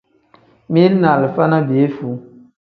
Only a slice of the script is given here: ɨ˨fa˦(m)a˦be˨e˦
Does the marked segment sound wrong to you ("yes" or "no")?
yes